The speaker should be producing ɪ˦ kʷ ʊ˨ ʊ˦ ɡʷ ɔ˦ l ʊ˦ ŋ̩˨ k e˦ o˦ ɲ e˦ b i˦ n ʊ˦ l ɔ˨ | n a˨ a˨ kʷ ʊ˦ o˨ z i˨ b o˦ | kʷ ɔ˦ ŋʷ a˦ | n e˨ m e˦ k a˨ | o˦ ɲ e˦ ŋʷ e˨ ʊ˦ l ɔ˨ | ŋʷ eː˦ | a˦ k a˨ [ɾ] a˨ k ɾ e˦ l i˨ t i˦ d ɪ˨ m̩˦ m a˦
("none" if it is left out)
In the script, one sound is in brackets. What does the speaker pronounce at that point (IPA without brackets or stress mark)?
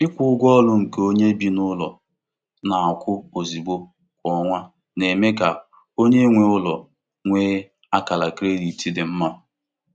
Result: l